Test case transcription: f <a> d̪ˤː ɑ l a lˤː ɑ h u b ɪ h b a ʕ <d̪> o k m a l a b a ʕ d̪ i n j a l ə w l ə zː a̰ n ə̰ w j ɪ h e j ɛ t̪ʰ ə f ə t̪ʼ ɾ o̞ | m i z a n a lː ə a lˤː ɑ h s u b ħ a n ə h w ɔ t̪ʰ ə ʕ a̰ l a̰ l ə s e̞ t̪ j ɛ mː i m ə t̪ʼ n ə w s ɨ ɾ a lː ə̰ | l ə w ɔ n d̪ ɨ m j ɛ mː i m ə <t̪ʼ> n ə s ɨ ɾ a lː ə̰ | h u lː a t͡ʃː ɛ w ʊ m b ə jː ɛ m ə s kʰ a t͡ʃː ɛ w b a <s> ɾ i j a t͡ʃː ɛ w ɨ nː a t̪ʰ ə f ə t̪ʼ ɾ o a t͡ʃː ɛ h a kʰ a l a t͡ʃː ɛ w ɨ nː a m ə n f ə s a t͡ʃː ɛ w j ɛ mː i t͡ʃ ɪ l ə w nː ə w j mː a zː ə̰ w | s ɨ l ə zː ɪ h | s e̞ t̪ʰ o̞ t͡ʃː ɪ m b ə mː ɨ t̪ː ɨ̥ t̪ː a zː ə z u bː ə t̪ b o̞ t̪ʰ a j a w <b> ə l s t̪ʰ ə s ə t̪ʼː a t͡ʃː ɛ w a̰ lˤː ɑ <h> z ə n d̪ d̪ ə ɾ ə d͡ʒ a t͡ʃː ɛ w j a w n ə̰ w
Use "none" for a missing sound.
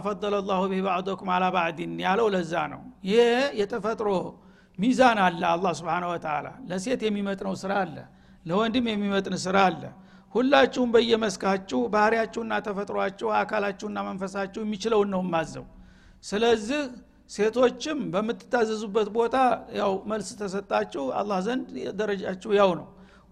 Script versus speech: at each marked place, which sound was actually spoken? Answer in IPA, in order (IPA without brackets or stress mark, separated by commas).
ɑ, d̪, t̪ʼ, h, m, h